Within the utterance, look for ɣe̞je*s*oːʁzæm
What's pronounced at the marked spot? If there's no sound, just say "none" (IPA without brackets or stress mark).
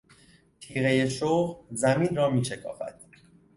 ʃ